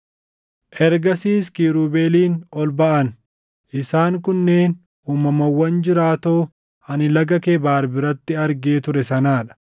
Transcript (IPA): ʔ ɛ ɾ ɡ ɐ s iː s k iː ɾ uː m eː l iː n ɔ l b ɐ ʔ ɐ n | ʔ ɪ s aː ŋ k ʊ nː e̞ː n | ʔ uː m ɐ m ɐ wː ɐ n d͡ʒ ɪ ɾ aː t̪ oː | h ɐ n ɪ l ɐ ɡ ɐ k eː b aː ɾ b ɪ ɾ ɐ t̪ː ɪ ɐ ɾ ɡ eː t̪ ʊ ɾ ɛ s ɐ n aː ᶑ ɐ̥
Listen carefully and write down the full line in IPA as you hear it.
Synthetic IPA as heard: ʔ ɛ ɾ ɡ ɐ s iː s k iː ɾ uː b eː l iː n ɔ l b ɐ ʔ ɐ n | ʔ ɪ s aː ŋ k ʊ nː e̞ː n | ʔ uː m ɐ m ɐ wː ɐ n d͡ʒ ɪ ɾ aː t̪ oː | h ɐ n ɪ l ɐ ɡ ɐ k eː b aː ɾ b ɪ ɾ ɐ t̪ː ɪ ɐ ɾ ɡ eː t̪ ʊ ɾ ɛ s ɐ n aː ᶑ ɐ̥